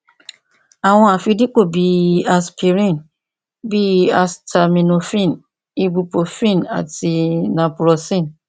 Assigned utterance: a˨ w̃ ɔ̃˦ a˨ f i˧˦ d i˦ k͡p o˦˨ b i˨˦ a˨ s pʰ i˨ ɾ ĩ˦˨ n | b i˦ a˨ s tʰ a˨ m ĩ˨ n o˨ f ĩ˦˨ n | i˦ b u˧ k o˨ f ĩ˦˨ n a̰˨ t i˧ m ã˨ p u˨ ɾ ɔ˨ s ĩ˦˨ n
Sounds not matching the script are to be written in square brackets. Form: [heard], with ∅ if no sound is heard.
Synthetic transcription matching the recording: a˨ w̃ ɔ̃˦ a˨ f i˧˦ d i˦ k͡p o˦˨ b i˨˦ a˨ s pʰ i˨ ɾ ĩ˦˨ n | b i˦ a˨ s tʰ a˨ m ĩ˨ n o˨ f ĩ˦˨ n | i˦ b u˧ [p] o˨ f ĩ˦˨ n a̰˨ t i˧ [n] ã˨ p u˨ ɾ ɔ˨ s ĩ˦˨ n